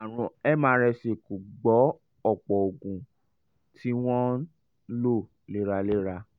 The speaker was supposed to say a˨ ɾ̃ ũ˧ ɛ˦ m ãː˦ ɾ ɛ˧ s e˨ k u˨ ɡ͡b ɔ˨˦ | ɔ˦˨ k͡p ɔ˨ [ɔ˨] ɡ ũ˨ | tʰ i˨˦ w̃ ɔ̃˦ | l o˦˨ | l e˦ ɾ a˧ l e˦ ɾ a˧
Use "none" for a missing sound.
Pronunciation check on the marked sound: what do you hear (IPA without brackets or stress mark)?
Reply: o˨